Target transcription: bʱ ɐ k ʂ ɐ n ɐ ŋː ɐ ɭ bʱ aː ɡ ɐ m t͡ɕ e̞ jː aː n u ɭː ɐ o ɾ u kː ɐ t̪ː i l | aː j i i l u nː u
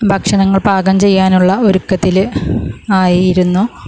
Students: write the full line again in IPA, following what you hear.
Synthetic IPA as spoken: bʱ ɐ k ʂ ɐ n ɐ ŋː ɐ ɭ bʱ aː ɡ ɐ m t͡ɕ e̞ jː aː n u ɭː ɐ o ɾ u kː ɐ t̪ː i l | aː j i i ɾ u nː u